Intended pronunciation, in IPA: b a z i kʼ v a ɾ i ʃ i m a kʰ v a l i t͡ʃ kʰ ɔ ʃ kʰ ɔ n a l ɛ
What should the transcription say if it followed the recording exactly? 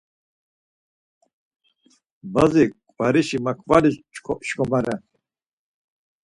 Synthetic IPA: b a z i kʼ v a ɾ i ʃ i m a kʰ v a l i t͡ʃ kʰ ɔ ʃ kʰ ɔ m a ɾ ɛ